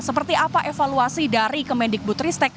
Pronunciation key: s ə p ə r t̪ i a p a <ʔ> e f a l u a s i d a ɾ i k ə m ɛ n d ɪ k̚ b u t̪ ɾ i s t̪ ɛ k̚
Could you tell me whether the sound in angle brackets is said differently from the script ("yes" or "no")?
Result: no